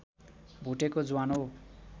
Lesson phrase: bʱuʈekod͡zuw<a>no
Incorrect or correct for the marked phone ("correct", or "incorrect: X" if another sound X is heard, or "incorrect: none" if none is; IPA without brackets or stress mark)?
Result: correct